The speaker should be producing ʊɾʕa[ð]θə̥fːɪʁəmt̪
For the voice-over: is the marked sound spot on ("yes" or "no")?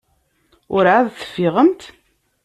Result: yes